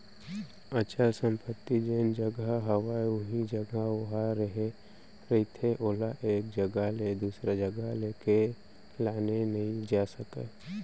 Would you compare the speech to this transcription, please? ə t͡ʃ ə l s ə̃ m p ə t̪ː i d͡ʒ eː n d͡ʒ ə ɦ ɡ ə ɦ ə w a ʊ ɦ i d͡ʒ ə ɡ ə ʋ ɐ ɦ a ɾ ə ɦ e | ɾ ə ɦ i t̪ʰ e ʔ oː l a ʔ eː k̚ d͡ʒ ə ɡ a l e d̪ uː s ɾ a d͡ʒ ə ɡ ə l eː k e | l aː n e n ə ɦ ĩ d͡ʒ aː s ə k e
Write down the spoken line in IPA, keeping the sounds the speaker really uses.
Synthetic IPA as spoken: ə t͡ʃ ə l s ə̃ m p ə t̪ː i d͡ʒ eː n d͡ʒ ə ɡ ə ɦ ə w a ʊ ɦ i d͡ʒ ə ɡ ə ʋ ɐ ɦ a ɾ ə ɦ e | ɾ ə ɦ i t̪ʰ e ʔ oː l a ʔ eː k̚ d͡ʒ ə ɡ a l e d̪ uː s ɾ a d͡ʒ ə ɡ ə l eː k e | l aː n e n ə ɦ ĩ d͡ʒ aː s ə k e